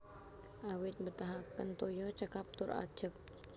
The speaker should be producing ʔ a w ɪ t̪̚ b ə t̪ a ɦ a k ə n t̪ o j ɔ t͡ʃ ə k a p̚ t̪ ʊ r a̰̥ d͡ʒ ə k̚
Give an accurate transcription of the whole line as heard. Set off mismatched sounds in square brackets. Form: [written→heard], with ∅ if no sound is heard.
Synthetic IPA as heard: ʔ a w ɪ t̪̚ b ə t̪ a ɦ a k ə n t̪ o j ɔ t͡ʃ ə k a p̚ t̪ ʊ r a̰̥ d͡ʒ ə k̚

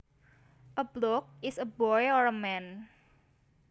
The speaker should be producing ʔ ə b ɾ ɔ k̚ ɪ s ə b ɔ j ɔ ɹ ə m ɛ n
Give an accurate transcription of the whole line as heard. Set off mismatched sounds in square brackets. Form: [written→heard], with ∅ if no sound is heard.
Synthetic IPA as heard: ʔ ə b [ɾ→l] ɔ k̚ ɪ s ə b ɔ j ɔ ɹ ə m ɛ n

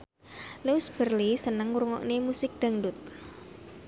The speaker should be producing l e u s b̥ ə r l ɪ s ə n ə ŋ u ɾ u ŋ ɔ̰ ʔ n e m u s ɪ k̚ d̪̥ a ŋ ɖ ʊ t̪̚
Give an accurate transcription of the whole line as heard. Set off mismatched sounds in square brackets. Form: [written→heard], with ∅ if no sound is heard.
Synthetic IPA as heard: l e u s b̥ ə r l [ɪ→i] s ə n ə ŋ u ɾ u ŋ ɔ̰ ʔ n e m u s ɪ k̚ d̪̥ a ŋ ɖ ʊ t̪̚

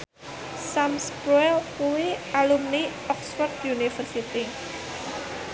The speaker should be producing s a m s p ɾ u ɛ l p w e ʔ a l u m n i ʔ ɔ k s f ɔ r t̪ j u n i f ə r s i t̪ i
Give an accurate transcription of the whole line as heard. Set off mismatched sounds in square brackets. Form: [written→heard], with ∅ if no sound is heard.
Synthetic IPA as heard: s a m s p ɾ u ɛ l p [w→u] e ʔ a l u m n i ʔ ɔ k s f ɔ r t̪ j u n i f ə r s i t̪ i

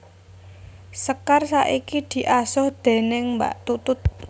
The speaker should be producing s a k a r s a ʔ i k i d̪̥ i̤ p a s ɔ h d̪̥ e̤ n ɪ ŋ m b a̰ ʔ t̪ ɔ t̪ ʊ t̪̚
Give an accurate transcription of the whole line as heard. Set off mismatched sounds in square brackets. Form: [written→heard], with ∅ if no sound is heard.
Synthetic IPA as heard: s [a→ə] k a r s a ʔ i k i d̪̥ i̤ [p→ʔ] a s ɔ h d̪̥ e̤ n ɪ ŋ m b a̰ ʔ t̪ [ɔ→u] t̪ ʊ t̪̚

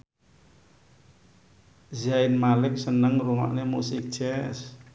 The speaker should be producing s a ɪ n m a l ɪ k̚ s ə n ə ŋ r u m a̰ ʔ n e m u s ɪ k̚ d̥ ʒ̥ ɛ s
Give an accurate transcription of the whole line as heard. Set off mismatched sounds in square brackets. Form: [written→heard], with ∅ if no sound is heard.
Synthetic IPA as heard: [s→z] a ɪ n m a l ɪ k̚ s ə n ə ŋ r u m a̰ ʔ n e m u s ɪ k̚ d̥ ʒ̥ ɛ s

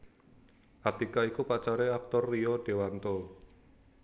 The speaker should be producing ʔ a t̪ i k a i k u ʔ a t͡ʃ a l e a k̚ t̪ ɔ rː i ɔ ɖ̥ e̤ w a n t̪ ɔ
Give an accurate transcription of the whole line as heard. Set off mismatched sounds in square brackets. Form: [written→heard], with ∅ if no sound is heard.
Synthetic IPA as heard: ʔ a t̪ i k a i k u [ʔ→p] a t͡ʃ a [l→ɾ] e a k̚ t̪ ɔ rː i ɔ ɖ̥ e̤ w a n t̪ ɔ

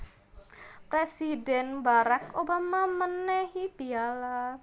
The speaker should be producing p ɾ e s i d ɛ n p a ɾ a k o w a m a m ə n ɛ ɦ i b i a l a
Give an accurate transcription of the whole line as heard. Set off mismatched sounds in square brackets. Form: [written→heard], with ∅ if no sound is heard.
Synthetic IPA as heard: p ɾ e s i d ɛ n [p→b] a ɾ a k o [w→b] a m a m ə n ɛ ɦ i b i a l a

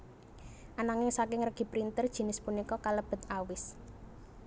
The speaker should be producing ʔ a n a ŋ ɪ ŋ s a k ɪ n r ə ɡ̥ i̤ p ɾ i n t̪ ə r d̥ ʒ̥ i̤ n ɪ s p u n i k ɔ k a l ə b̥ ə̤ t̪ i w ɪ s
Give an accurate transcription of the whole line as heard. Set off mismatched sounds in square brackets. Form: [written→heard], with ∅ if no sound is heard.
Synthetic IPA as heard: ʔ a n a ŋ ɪ ŋ s a k ɪ [n→ŋ] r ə ɡ̥ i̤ p ɾ i n t̪ ə r d̥ ʒ̥ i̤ n ɪ s p u n i k ɔ k a l ə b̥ ə̤ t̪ [i→a] w ɪ s

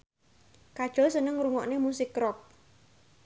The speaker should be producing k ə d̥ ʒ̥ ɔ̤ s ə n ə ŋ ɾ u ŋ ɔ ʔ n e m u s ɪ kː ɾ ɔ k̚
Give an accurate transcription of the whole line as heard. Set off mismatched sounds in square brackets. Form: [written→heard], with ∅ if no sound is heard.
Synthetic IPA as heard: k [ə→a] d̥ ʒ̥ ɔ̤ s ə n ə ŋ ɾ u ŋ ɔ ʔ n e m u s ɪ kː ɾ ɔ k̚

